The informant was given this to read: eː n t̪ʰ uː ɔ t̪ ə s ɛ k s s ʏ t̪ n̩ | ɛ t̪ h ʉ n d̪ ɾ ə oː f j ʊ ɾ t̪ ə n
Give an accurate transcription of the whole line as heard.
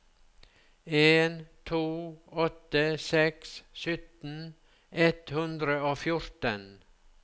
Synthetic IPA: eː n t̪ʰ uː ɔ t̪ ə s ɛ k s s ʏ t̪ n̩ | ɛ t̪ h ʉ n d̪ ɾ ə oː f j ʊ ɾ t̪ ə n